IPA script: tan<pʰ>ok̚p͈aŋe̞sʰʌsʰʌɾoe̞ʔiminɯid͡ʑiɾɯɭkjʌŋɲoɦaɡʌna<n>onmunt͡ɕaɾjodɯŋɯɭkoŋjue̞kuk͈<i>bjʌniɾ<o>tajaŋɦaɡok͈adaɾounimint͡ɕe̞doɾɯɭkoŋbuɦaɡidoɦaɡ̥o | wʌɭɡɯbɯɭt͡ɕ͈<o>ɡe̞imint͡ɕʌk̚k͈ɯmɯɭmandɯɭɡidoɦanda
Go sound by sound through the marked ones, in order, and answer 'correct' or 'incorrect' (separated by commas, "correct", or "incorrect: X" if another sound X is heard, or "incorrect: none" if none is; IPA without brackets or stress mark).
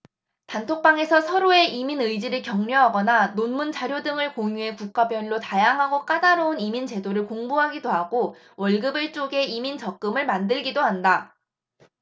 incorrect: tʰ, correct, incorrect: a, correct, correct